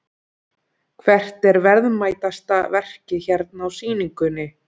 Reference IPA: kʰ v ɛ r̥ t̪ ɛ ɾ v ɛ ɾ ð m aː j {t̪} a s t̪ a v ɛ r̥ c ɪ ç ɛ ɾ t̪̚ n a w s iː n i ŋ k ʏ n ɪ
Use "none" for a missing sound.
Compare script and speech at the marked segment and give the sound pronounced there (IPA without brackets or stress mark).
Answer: t̪